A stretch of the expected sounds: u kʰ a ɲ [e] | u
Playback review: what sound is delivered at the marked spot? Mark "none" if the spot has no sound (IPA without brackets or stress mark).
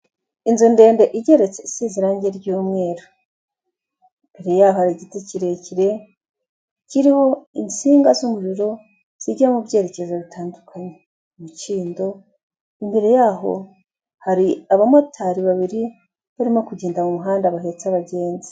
e